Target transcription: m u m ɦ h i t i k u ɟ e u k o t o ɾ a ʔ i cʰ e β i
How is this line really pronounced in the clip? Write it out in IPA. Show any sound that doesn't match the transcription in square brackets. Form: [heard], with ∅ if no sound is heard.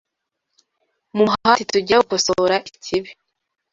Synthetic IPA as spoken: m u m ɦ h [a] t i [t] u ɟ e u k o [s] o ɾ a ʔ i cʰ [i] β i